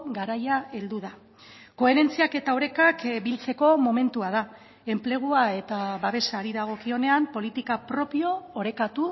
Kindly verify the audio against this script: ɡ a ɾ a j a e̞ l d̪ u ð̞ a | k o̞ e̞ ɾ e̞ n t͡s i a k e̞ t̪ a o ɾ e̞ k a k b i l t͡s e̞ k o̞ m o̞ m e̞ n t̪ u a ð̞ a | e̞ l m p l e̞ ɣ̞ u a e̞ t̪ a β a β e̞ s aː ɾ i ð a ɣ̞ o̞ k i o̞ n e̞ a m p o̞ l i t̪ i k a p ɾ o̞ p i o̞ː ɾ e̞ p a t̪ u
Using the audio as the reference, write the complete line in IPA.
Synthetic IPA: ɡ a ɾ a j a e̞ l d̪ u ð̞ a | k o̞ e̞ ɾ e̞ n t͡s i a k e̞ t̪ a o ɾ e̞ k a k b i l t͡s e̞ k o̞ m o̞ m e̞ n t̪ u a ð̞ a | e̞ m p l e̞ ɣ̞ u a e̞ t̪ a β a β e̞ s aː ɾ i ð a ɣ̞ o̞ k i o̞ n e̞ a m p o̞ l i t̪ i k a p ɾ o̞ p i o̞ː ɾ e̞ k a t̪ u